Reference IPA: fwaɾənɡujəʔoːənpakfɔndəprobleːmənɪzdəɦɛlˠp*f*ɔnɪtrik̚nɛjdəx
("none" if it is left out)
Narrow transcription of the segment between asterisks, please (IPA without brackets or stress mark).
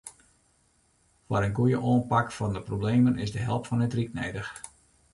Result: f